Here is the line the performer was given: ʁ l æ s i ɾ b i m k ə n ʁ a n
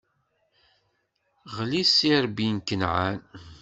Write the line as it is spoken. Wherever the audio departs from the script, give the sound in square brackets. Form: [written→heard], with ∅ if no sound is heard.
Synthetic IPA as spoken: ʁ l [æ→i] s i ɾ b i [m→n] k ə n [ʁ→ʕ] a n